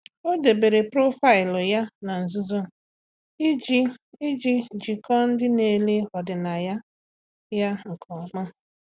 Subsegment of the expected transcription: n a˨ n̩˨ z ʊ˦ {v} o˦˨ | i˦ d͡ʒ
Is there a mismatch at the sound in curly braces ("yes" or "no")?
yes